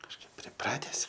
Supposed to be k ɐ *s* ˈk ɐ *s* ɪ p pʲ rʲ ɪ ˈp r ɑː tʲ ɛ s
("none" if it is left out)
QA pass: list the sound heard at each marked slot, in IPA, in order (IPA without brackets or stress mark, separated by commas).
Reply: ʃ, none